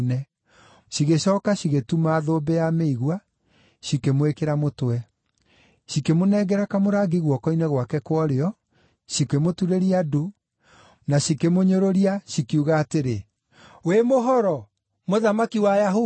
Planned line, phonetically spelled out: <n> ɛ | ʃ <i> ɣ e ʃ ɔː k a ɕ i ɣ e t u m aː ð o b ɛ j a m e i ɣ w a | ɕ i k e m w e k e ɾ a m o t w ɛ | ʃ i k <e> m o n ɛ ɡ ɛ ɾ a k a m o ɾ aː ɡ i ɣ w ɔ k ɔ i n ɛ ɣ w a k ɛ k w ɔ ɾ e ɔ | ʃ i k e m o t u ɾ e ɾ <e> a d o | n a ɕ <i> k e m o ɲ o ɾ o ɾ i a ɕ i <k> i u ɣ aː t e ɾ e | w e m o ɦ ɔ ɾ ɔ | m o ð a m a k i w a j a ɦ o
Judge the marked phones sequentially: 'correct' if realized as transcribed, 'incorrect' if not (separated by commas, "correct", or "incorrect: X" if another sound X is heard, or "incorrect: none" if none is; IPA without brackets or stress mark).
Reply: correct, correct, correct, incorrect: i, correct, correct